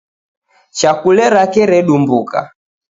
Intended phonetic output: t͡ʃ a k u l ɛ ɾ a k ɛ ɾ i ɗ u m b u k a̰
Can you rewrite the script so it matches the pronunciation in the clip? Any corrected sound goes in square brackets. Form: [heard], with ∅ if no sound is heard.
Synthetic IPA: t͡ʃ a k u l ɛ ɾ a k ɛ ɾ [ɛ] ɗ u m b u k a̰

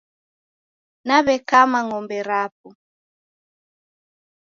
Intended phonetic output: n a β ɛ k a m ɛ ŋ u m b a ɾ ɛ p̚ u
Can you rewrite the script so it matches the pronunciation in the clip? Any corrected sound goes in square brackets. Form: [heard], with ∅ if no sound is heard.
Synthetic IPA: n a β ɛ k a m [a] ŋ [ɔ] m b [ɛ] ɾ [a] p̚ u

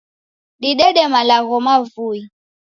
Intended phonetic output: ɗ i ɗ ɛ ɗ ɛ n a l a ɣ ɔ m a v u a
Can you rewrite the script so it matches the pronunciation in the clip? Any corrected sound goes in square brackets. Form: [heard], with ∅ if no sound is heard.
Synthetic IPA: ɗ i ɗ ɛ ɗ ɛ [m] a l a ɣ ɔ m a v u [i]

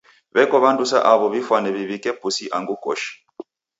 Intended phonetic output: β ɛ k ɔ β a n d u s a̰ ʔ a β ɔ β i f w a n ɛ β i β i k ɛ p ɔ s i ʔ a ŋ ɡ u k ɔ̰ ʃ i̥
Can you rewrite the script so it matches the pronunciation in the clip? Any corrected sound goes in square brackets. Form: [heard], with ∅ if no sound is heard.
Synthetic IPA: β ɛ k ɔ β a n d u s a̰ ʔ a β ɔ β i f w a n ɛ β i β i k ɛ p [u] s i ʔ a ŋ ɡ u k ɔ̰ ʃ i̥

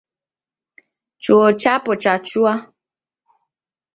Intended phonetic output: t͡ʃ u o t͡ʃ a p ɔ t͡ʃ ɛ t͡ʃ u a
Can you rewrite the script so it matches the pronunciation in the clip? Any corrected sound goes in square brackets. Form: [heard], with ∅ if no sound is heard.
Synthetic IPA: t͡ʃ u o t͡ʃ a p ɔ t͡ʃ [a] t͡ʃ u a

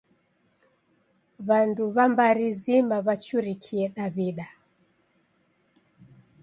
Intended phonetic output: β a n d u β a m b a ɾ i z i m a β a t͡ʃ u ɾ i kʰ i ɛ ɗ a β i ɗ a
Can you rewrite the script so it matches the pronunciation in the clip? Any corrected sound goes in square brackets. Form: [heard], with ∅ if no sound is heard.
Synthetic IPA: β a n d u β a m b a ɾ i z i m a β a t͡ʃ u ɾ i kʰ i ɛ ɗ a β i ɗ a

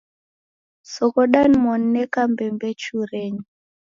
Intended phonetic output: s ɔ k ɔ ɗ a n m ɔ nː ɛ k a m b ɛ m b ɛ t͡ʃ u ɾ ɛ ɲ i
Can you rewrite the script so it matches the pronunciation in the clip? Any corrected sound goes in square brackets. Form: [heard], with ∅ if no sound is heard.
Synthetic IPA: s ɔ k ɔ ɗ a n m ɔ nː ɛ k a m b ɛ m b ɛ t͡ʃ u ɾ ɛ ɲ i

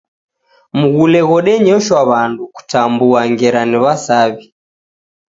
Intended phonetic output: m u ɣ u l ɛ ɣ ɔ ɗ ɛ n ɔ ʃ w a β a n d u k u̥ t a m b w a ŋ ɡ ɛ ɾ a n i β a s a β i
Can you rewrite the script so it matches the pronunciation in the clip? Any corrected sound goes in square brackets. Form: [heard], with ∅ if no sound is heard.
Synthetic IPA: m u ɣ u l ɛ ɣ ɔ ɗ ɛ [ɲ] ɔ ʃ w a β a n d u k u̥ t a m b [u] a ŋ ɡ ɛ ɾ a n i β a s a β i

